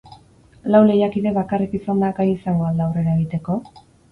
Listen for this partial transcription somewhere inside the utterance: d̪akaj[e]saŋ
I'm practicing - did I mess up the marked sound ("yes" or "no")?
yes